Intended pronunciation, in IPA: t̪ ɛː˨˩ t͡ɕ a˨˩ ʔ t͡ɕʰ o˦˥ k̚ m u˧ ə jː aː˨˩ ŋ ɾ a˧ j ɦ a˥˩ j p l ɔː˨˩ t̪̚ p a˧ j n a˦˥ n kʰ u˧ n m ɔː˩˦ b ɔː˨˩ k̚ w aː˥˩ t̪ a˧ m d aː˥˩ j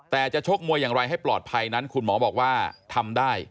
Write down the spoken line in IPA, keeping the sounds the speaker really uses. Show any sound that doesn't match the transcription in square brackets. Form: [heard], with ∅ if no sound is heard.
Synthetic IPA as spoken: t̪ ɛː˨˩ t͡ɕ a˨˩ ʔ t͡ɕʰ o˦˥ k̚ m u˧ ə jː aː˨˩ ŋ ɾ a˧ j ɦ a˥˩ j p l ɔː˨˩ t̪̚ [pʰ] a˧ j n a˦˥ n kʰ u˧ n m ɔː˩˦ b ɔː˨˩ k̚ w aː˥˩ [t̪ʰ] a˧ m d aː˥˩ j